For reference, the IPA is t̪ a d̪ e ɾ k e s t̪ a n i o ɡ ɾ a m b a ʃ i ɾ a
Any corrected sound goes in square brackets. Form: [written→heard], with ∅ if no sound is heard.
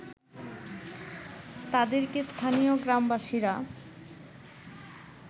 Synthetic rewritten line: t̪ a d̪ e ɾ k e s [t̪→t̪ʰ] a n i o ɡ ɾ a m b a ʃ i ɾ a